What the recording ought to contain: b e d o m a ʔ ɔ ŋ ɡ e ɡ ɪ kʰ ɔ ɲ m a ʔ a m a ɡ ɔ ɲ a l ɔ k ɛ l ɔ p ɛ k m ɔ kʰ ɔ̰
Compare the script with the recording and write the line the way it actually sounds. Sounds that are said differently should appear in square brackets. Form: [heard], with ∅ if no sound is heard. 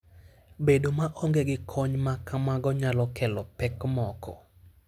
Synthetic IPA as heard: b e d o m a ʔ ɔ ŋ ɡ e ɡ ɪ kʰ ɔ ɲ m a [k] a m a ɡ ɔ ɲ a l ɔ k ɛ l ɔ p ɛ k m ɔ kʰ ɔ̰